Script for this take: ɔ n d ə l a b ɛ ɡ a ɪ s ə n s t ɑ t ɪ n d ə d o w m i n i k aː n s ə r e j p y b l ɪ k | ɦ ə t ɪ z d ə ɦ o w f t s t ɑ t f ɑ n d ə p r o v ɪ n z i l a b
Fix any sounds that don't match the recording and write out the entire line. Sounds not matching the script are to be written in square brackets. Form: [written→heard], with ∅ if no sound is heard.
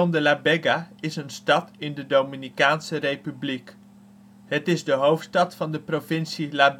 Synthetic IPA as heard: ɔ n d ə l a b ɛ ɡ a ɪ s ə n s t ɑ t ɪ n d ə d o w m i n i k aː n s ə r e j p y b l [ɪ→i] k | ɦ ə t ɪ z d ə ɦ o w f t s t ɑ t f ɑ n d ə p r o v ɪ n [z→s] i l a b